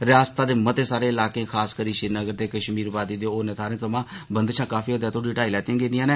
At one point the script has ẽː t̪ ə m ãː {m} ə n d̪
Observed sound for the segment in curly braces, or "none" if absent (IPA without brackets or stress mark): b